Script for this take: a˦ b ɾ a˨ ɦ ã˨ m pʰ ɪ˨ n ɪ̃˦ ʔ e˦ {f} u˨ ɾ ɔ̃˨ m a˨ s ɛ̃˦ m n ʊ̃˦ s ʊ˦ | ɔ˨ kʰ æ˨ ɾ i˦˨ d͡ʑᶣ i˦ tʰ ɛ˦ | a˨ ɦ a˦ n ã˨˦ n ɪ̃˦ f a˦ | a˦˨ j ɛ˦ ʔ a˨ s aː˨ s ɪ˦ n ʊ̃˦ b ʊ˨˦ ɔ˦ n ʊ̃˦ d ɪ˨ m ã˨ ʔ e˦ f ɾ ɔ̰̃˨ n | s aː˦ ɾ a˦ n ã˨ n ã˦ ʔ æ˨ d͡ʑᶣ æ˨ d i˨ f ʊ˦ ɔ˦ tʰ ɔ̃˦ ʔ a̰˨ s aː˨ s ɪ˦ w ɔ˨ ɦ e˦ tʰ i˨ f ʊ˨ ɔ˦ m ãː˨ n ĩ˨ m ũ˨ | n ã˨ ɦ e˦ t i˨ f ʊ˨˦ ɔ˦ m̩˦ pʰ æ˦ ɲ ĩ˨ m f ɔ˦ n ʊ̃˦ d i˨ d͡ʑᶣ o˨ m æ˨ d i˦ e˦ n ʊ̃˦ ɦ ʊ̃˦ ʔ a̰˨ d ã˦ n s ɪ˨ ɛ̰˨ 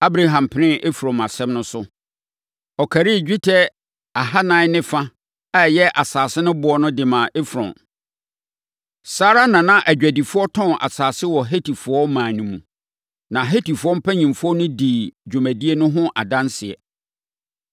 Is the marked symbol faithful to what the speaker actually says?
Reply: yes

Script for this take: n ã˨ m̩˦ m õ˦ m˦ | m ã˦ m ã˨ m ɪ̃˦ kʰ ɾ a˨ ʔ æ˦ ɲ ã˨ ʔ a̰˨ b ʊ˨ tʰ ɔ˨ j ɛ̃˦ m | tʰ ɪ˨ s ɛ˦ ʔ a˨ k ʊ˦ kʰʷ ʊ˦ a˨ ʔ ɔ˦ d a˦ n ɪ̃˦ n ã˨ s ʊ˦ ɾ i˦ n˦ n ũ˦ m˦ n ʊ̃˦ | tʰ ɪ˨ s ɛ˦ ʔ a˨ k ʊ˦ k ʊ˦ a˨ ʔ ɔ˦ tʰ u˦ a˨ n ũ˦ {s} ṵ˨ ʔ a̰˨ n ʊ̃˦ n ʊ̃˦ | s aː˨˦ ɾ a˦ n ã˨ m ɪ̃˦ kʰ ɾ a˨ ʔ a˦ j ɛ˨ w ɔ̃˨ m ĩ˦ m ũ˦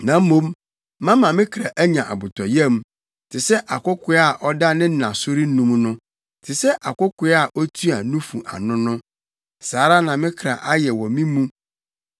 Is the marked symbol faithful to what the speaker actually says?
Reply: no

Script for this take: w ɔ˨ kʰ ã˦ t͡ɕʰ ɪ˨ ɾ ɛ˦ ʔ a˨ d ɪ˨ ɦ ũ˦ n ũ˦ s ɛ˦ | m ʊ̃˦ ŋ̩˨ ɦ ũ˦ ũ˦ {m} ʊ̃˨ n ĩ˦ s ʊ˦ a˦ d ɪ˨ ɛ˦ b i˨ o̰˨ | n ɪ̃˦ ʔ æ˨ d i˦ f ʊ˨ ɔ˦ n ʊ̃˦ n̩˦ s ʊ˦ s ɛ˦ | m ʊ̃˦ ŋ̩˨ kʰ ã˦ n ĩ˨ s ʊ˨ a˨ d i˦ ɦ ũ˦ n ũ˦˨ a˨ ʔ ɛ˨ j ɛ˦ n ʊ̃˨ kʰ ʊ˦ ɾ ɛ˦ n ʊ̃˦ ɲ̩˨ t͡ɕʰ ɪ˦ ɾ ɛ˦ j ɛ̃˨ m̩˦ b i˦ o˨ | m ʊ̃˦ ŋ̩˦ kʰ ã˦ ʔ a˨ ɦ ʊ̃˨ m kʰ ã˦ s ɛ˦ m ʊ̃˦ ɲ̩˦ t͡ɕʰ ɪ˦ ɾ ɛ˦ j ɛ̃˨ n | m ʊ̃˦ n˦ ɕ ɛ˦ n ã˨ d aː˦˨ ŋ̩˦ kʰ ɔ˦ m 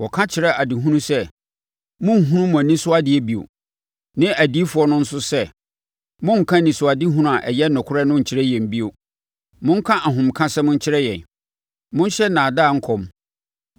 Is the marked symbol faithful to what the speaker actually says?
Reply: yes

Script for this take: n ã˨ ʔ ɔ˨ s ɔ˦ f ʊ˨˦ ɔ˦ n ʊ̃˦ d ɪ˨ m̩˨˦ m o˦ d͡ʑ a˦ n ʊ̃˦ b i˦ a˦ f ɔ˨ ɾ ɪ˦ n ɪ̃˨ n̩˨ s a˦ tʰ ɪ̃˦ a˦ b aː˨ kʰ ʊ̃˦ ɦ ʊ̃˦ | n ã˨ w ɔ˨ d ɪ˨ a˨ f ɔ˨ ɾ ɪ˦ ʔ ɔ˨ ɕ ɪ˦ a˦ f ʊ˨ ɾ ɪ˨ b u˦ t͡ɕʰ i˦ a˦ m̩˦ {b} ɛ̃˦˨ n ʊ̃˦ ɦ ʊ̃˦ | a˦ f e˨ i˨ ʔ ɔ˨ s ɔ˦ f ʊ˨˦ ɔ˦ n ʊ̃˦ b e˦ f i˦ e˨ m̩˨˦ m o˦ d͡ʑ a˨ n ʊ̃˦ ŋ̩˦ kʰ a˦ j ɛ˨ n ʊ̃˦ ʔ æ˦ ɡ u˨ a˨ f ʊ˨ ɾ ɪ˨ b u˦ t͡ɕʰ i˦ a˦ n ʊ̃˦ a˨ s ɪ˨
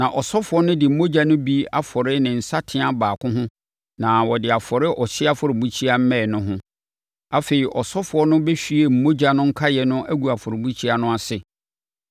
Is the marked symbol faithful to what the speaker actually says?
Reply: no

